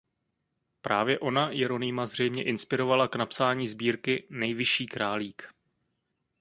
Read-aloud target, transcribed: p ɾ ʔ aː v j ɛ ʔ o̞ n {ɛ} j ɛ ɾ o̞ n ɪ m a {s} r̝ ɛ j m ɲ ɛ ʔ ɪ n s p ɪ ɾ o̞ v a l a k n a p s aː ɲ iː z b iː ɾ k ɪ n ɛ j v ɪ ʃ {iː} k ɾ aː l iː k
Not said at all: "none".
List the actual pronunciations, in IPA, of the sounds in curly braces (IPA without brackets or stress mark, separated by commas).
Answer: a, z, iː